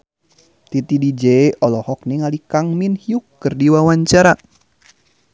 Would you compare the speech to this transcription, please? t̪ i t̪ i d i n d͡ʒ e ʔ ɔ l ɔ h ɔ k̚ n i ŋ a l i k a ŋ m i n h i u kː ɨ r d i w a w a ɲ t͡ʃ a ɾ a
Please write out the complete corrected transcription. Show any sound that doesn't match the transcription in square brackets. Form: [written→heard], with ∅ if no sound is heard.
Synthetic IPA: t̪ i t̪ i d i [n→∅] d͡ʒ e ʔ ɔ l ɔ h ɔ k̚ n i ŋ a l i k a ŋ m i n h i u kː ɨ r d i w a w a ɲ t͡ʃ a ɾ a